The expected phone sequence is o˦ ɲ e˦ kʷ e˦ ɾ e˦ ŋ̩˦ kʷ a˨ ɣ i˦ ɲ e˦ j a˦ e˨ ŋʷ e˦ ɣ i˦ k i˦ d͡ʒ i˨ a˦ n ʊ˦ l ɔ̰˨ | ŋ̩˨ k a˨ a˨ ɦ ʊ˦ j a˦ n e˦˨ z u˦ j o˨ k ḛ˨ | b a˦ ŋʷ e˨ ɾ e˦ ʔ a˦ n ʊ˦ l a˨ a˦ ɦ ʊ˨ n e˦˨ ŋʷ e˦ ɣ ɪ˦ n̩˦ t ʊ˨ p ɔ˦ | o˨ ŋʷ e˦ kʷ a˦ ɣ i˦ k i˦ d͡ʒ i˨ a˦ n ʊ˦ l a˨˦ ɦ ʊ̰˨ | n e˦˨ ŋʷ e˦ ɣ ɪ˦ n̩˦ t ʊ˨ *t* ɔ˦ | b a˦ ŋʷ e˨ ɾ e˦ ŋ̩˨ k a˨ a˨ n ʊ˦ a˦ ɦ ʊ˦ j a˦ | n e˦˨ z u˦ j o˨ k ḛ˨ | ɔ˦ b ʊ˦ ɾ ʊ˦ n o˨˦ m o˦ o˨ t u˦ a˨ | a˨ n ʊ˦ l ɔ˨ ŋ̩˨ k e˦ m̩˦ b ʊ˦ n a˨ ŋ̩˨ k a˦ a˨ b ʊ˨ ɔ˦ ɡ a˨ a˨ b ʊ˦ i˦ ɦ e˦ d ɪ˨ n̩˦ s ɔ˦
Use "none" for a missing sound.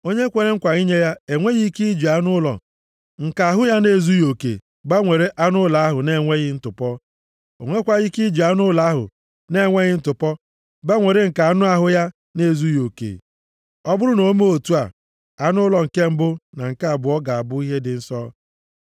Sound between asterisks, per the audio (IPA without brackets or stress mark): p